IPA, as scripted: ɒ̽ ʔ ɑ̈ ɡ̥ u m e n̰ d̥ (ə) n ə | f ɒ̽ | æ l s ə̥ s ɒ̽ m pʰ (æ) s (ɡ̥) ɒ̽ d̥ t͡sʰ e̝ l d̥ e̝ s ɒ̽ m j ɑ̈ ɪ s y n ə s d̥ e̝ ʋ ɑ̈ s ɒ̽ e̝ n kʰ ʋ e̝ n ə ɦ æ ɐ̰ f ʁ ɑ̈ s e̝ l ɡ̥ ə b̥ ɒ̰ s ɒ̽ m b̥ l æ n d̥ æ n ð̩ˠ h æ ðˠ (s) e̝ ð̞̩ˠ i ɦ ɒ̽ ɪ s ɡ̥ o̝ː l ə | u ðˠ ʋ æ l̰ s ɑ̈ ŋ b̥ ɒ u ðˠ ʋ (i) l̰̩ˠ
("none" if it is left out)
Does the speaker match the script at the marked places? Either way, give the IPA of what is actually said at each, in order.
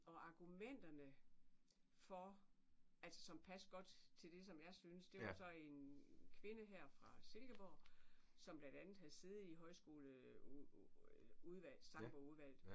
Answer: ɐ, æ, ɡ̥, s, æ

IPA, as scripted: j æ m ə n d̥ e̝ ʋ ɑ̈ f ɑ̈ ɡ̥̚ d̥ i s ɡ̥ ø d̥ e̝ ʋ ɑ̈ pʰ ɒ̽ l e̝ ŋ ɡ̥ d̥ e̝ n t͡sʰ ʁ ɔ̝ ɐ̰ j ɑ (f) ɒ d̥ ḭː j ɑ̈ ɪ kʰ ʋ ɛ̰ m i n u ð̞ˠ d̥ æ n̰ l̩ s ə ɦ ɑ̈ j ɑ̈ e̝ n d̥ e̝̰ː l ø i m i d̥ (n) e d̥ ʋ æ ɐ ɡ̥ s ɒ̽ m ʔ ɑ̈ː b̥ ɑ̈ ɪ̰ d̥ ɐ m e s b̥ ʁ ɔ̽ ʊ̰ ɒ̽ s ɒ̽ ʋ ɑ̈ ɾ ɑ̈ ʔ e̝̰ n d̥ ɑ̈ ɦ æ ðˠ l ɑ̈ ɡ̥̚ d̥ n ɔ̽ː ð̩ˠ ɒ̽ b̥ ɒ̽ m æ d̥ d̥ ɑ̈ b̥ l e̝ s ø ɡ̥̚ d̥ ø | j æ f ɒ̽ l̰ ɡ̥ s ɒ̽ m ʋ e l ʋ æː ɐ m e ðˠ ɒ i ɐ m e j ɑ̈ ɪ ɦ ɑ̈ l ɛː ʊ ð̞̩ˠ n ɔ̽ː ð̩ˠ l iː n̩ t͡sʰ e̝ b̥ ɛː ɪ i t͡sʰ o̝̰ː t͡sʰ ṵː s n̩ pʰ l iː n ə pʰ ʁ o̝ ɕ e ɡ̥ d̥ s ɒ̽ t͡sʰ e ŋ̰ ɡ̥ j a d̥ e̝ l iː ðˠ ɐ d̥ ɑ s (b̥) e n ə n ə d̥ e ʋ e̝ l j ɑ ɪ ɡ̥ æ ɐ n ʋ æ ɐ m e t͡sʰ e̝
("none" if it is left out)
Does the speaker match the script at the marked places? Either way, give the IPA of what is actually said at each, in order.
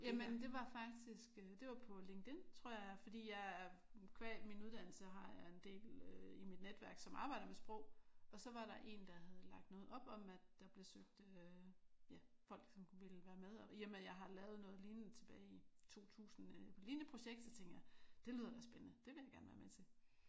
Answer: f, n, b̥

